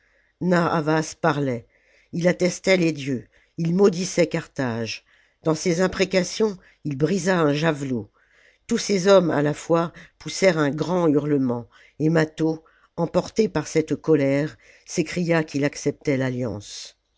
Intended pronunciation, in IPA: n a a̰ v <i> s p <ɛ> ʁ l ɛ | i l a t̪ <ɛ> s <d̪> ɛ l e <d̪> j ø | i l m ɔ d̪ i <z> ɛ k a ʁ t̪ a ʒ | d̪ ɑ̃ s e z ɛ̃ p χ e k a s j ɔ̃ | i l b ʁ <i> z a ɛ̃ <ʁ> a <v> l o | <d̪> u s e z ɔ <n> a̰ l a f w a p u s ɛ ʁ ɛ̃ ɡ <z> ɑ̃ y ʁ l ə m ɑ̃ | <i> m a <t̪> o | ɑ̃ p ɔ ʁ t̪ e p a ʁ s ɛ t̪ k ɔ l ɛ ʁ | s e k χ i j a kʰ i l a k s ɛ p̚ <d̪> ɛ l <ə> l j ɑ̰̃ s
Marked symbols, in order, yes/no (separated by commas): no, no, yes, no, yes, no, yes, no, yes, no, no, no, no, yes, no, no